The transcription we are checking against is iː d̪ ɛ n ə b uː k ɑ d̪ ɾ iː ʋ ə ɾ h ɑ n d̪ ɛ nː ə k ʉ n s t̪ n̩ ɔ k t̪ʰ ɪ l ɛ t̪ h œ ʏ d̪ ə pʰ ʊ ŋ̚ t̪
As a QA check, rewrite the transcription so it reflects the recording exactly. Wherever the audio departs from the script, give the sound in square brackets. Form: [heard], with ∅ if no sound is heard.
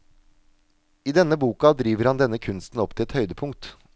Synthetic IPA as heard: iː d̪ ɛ n ə b uː k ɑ d̪ ɾ iː ʋ ə ɾ h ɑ n d̪ ɛ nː ə [kʰ] ʉ n s t̪ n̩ ɔ [p] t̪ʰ ɪ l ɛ t̪ h œ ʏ d̪ ə pʰ ʊ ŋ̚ t̪